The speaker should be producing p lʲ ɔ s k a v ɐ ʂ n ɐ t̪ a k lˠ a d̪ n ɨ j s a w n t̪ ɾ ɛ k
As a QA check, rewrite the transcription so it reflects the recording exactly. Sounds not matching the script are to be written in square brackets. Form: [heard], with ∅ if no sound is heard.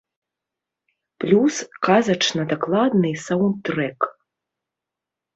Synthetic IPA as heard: p lʲ [u] s k a [z] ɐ [t͡ʂ] n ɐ [d̪] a k lˠ a d̪ n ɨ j s a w n t̪ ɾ ɛ k